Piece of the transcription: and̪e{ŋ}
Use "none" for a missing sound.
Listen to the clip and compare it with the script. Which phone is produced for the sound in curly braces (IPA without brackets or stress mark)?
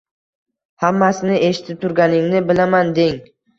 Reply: ŋ